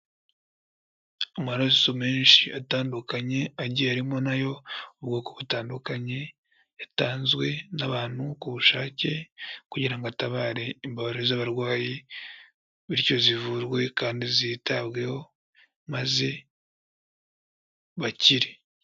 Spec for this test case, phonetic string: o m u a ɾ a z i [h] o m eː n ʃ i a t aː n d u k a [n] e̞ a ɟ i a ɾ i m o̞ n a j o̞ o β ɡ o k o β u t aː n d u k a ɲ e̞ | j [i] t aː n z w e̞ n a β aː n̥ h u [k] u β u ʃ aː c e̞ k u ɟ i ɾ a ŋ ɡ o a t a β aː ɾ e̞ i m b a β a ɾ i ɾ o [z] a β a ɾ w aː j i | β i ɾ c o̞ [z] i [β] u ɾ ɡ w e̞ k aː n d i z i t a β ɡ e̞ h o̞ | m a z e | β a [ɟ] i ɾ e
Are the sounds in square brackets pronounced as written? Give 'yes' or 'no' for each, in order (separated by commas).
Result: no, no, no, yes, yes, yes, no, no